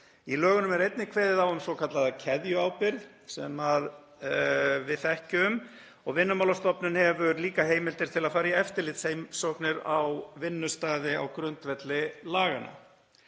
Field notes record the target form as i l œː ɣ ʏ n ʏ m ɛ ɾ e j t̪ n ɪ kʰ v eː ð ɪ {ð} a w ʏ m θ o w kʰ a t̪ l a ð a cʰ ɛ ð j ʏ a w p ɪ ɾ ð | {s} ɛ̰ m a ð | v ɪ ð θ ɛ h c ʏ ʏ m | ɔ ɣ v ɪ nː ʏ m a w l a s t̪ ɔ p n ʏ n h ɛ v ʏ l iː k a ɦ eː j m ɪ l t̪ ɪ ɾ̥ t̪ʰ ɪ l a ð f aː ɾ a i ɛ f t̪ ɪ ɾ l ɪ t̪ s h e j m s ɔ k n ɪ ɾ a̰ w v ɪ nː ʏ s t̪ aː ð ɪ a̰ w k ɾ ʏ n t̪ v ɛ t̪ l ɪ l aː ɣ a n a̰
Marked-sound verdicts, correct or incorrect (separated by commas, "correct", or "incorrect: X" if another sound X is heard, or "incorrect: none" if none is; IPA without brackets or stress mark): correct, correct